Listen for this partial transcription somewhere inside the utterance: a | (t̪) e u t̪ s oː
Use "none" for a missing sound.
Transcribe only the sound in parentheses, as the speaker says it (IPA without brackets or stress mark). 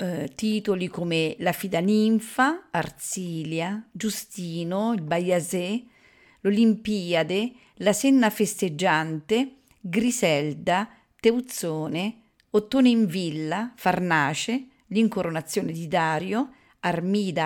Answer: t̪